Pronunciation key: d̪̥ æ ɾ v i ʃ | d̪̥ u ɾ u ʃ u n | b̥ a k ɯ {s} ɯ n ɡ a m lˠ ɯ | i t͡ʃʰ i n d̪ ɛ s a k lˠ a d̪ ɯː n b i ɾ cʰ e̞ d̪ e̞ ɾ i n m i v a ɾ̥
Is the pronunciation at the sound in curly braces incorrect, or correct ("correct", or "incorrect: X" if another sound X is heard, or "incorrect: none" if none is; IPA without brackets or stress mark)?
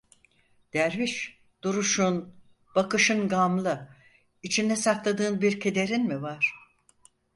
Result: incorrect: ʃ